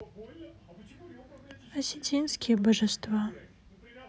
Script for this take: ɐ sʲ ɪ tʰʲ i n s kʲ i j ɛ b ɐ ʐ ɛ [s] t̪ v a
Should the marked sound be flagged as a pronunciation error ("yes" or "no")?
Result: no